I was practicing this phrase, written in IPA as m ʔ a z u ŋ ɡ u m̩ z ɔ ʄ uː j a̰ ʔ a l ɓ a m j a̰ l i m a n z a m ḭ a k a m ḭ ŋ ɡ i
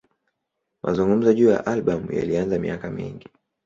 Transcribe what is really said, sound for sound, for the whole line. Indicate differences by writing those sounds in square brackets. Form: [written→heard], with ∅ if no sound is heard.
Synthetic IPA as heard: m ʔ a z u ŋ ɡ u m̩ z ɔ ʄ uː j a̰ ʔ a l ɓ a m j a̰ l i [m→∅] a n z a m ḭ a k a m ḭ ŋ ɡ i